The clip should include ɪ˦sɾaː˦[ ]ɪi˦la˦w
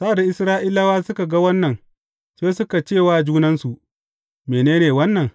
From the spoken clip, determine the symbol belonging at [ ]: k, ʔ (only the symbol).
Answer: ʔ